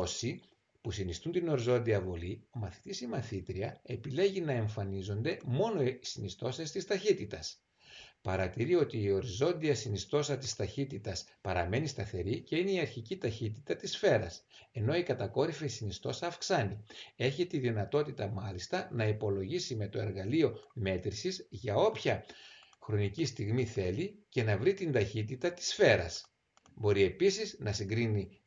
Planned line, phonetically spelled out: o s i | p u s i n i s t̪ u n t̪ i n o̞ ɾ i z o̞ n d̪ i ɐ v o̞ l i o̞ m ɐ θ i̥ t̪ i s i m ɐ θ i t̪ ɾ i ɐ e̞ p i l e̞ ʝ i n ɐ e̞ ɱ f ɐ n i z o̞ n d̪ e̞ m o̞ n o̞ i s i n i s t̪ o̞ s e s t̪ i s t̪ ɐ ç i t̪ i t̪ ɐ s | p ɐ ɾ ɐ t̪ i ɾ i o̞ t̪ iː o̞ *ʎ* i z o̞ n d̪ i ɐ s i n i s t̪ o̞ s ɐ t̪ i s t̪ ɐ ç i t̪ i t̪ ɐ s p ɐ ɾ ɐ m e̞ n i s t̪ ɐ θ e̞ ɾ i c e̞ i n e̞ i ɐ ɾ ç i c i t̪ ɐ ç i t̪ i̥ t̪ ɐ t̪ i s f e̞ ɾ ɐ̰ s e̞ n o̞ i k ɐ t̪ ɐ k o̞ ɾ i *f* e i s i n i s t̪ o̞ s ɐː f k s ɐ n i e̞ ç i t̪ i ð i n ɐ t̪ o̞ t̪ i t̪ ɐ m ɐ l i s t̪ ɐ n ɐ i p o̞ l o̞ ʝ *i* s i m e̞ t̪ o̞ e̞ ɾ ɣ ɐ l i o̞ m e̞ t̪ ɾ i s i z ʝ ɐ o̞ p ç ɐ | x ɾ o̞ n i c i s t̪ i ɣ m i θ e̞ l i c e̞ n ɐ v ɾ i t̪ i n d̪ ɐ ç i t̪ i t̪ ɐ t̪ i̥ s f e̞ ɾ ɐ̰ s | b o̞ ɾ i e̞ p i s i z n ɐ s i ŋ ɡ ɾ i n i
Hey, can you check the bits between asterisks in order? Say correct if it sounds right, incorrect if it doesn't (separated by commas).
incorrect, correct, correct